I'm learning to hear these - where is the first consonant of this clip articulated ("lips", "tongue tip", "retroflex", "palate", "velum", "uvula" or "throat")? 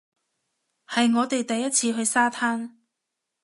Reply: throat